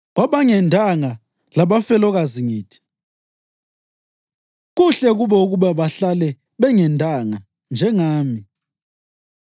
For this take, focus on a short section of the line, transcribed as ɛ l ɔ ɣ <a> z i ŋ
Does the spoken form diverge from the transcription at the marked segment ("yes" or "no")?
no